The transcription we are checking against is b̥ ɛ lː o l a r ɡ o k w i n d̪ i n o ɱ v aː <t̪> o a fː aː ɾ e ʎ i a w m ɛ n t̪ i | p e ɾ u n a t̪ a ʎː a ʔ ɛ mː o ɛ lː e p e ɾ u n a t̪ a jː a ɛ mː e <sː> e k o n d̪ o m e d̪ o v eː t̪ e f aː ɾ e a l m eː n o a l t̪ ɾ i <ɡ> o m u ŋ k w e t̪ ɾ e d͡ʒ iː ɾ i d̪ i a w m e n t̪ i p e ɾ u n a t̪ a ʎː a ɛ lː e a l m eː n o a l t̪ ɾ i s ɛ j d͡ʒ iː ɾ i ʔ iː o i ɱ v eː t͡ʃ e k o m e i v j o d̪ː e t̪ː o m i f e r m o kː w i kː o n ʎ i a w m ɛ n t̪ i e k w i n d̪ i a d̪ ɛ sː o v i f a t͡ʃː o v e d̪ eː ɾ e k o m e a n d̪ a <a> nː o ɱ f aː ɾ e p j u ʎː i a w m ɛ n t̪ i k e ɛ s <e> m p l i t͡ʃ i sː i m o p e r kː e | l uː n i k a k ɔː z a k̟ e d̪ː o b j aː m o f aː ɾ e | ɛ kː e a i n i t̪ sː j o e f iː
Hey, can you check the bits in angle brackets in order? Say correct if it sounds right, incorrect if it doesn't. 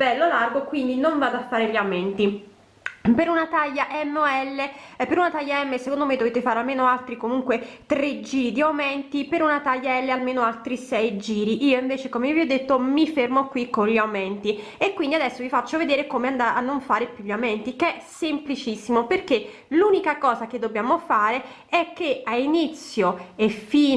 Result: incorrect: d̪, incorrect: s, incorrect: k, correct, correct

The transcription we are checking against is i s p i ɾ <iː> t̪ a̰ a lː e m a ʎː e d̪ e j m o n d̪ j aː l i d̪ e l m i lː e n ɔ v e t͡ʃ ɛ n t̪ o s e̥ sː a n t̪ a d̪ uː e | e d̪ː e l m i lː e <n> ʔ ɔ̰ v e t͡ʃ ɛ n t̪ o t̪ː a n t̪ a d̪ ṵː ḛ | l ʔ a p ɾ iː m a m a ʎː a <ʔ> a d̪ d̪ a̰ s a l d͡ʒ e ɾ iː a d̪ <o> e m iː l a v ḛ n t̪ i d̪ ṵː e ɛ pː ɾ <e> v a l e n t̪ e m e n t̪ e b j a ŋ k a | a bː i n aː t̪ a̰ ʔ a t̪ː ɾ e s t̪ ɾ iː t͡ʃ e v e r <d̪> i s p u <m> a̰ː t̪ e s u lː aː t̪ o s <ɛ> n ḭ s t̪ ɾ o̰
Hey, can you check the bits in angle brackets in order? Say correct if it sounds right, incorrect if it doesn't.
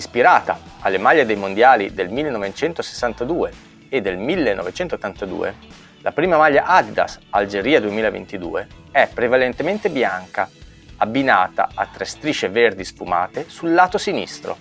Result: incorrect: aː, correct, correct, incorrect: u, correct, correct, correct, incorrect: i

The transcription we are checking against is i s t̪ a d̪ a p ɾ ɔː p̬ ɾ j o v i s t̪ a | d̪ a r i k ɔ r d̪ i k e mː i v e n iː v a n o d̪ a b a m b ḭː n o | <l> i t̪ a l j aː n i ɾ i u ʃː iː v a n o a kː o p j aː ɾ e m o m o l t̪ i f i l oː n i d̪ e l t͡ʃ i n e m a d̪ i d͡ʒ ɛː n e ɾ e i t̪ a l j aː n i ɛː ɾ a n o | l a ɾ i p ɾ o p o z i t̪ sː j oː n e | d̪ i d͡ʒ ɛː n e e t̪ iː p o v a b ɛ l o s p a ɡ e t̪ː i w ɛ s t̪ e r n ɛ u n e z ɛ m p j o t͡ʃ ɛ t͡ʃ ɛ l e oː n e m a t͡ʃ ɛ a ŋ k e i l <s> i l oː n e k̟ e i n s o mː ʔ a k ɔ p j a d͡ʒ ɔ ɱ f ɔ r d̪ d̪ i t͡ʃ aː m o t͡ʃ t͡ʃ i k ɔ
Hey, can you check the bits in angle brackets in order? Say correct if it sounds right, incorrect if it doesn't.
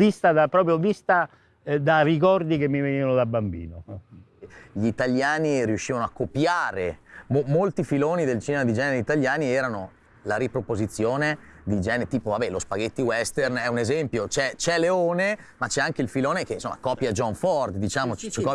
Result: incorrect: ʎ, incorrect: f

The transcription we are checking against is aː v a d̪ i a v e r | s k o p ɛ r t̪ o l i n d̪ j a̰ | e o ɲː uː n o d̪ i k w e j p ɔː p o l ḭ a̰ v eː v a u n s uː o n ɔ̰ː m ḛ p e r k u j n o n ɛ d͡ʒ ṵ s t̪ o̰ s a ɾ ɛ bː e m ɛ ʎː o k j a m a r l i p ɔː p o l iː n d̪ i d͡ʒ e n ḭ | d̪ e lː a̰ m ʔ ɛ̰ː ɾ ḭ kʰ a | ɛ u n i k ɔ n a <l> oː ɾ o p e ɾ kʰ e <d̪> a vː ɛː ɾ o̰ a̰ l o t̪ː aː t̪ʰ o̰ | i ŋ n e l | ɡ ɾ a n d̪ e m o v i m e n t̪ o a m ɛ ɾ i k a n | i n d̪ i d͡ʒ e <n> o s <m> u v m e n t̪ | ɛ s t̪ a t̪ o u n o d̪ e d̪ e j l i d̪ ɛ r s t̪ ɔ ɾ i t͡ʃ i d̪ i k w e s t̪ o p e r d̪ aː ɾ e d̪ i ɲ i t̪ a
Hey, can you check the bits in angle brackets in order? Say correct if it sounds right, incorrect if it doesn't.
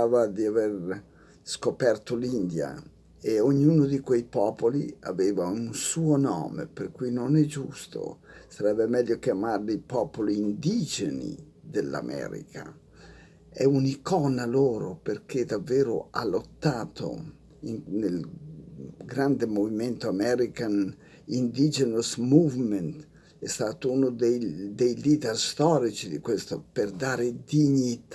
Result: correct, correct, correct, correct

